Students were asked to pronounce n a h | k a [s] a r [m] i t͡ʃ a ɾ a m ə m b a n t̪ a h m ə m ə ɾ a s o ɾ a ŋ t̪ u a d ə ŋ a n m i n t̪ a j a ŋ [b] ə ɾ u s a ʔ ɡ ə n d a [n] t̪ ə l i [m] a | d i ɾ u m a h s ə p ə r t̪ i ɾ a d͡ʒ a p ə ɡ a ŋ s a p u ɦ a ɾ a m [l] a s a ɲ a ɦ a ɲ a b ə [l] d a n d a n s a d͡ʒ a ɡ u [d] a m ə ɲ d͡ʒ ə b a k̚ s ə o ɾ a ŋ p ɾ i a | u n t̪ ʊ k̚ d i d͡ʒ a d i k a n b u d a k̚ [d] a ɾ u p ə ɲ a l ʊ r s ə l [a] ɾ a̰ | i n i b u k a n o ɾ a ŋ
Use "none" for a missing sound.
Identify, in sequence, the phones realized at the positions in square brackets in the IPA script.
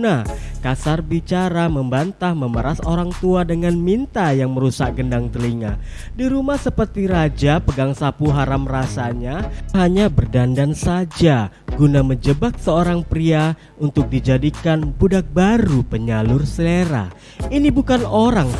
s, b, m, ŋ, ŋ, r, r, n, b, e

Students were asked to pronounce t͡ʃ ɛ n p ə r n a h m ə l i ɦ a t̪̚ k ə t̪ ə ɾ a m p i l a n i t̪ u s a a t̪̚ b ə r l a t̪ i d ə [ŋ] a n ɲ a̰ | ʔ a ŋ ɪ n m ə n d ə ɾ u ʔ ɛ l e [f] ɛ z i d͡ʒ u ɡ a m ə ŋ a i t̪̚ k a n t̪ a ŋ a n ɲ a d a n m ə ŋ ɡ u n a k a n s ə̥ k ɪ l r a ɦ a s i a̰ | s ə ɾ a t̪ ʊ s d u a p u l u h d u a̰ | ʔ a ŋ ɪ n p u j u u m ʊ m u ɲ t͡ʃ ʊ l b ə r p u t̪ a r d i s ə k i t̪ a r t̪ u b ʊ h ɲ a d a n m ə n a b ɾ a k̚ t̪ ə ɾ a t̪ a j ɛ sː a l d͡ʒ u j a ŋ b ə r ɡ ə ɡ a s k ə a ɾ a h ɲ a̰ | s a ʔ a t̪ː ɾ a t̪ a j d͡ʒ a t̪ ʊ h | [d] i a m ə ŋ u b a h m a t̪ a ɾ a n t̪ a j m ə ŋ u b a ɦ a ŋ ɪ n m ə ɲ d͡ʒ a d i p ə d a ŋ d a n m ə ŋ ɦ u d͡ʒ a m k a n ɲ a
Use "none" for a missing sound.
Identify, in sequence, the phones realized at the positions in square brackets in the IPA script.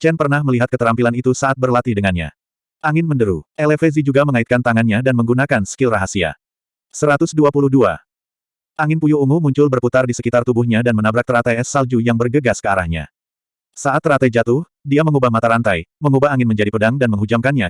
ŋ, f, d

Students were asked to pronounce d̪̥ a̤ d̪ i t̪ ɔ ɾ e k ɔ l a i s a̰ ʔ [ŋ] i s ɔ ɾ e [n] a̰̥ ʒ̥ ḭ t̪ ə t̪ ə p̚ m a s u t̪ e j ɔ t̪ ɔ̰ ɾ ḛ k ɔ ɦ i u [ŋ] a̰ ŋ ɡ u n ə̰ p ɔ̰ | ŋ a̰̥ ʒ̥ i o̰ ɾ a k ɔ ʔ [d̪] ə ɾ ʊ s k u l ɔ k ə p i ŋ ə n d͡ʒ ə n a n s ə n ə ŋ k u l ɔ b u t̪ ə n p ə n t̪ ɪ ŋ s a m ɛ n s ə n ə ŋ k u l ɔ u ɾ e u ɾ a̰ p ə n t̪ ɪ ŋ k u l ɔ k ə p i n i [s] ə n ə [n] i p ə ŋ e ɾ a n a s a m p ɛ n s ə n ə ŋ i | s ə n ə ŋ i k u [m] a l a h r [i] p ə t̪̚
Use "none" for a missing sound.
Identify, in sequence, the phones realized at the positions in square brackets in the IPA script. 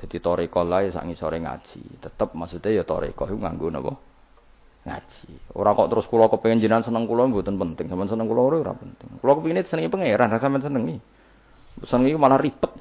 ŋ, ŋ, ŋ, t̪, s, ŋ, m, i

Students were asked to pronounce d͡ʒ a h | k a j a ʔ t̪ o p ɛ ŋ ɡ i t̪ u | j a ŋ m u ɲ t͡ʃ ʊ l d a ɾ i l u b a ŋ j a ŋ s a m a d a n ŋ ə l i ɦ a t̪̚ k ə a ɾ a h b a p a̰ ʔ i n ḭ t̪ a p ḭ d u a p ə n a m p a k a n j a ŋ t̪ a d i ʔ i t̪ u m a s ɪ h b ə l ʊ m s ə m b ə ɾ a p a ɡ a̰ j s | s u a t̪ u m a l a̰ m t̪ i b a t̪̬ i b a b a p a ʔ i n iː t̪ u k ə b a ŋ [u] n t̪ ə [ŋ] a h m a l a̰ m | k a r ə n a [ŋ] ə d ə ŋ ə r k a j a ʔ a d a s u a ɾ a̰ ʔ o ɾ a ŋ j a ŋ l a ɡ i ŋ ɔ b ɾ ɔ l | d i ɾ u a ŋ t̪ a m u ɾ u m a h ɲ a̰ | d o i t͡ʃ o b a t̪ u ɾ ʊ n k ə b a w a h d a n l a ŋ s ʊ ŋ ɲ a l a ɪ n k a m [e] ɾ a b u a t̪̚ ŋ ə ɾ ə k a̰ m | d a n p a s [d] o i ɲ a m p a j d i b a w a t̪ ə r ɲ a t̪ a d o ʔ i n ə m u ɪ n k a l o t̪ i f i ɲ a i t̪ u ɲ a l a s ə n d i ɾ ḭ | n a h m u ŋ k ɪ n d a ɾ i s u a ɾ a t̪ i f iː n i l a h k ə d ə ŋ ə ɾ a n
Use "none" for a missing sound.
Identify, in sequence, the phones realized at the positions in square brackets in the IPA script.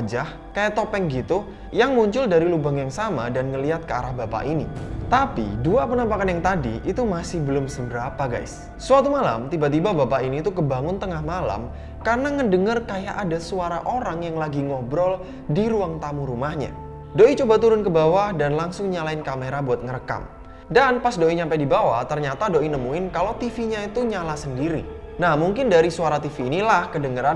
ʊ, ŋ, ŋ, e, d

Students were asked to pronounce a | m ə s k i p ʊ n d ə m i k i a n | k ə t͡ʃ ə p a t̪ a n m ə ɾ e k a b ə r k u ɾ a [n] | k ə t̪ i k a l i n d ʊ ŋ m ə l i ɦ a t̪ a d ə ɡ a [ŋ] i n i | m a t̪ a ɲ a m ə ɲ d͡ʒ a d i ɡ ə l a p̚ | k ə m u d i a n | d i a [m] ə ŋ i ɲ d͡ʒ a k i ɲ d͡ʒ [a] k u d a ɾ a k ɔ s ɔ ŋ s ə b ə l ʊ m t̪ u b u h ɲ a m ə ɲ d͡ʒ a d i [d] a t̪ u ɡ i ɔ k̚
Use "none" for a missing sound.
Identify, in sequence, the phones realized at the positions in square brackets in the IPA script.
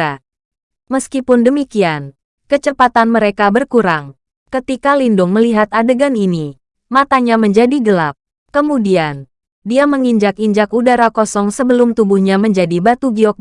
ŋ, n, m, a, b

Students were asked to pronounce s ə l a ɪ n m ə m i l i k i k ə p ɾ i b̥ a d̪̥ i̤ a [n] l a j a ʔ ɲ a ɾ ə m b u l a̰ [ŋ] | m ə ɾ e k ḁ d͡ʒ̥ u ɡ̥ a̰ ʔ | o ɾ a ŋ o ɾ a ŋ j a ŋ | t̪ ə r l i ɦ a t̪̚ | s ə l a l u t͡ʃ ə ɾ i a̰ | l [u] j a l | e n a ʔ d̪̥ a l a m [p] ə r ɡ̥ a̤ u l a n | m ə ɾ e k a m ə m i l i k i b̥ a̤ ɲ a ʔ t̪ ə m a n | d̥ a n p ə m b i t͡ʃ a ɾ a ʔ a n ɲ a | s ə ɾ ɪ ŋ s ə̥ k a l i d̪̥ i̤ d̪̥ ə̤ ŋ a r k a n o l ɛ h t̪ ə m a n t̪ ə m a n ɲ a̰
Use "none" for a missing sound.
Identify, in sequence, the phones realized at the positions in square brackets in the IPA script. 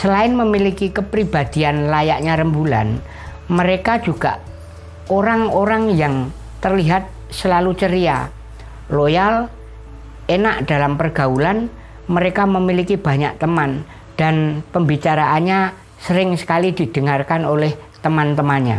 n, n, o, p

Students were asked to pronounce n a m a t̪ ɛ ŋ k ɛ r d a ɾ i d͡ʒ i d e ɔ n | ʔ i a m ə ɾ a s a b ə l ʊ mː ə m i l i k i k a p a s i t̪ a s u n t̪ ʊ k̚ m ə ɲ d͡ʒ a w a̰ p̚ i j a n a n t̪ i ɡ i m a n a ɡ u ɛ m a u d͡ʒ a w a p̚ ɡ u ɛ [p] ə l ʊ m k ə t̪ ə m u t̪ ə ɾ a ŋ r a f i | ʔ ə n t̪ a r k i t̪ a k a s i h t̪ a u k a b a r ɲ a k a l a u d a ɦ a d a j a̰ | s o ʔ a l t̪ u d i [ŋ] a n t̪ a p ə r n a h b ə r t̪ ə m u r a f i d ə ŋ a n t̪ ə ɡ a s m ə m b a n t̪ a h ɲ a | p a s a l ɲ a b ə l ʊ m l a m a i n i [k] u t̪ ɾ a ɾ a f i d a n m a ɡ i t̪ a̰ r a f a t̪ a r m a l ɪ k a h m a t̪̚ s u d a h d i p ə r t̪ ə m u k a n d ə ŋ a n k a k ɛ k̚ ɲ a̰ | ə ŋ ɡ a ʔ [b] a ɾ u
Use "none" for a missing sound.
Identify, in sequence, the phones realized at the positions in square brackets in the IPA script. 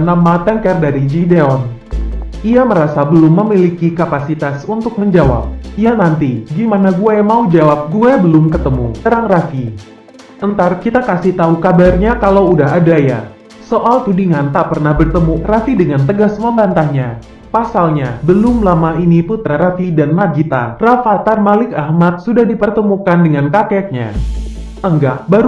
b, ŋ, p, b

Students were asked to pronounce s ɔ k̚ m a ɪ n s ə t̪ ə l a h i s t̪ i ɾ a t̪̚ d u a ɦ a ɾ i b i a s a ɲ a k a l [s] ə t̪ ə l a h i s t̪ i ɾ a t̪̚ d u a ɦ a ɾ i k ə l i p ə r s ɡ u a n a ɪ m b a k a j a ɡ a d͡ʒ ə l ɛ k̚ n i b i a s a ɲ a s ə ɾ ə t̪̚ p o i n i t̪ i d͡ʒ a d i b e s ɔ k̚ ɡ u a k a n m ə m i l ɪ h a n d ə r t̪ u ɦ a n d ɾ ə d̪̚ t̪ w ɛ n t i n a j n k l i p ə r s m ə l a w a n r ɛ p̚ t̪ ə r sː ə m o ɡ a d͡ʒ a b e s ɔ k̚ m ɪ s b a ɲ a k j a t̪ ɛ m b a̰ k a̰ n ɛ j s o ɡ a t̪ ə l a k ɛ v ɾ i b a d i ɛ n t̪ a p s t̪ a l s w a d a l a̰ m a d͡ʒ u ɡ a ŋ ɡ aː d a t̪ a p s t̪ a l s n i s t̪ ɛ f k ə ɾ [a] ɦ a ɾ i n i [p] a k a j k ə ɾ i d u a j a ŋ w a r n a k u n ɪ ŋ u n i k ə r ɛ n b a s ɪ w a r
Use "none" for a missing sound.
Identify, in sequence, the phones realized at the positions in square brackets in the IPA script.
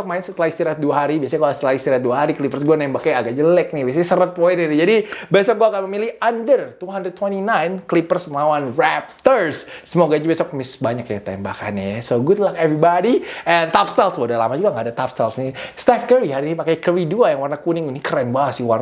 s, i, p

